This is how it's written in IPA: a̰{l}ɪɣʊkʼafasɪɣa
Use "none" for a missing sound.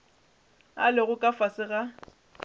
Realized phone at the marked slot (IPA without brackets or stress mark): l